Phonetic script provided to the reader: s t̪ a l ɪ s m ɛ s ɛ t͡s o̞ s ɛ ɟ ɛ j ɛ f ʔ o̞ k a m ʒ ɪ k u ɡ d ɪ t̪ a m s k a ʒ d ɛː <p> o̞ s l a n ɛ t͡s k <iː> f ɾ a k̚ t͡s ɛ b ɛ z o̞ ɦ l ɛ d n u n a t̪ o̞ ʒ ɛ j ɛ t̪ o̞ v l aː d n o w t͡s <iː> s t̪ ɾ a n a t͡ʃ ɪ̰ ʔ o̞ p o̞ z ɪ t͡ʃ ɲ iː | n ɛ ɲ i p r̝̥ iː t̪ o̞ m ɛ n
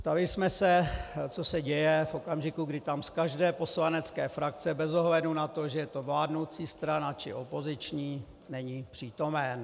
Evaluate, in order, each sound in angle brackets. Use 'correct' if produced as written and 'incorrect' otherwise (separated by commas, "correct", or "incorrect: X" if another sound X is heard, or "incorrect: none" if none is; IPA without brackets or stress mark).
correct, incorrect: ɛː, correct